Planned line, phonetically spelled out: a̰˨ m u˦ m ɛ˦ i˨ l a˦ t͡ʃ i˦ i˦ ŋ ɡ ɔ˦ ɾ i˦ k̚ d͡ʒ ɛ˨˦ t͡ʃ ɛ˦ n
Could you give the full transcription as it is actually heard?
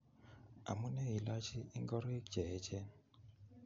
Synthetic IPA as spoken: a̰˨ m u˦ n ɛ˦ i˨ l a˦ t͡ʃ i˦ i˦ ŋ ɡ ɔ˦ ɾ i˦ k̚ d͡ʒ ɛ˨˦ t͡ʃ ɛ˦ n